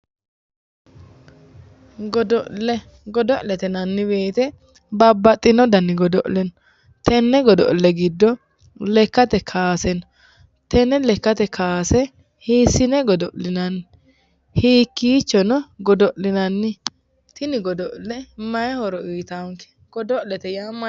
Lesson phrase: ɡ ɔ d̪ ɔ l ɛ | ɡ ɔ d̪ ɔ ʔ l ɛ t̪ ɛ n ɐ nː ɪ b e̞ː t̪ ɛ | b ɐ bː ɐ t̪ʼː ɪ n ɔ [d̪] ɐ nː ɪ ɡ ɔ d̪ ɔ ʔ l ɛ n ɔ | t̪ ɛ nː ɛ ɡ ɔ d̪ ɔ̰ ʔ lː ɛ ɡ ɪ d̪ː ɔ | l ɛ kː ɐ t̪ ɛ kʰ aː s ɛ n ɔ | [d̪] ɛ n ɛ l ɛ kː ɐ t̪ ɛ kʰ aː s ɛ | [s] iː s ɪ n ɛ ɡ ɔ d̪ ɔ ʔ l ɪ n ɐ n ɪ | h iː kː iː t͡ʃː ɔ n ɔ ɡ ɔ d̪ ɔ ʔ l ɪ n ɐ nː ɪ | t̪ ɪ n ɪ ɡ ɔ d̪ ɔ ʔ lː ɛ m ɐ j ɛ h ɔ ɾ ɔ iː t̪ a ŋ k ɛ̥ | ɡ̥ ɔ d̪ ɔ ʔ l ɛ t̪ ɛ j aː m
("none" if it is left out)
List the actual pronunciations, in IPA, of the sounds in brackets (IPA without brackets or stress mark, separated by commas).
d̪, t̪, h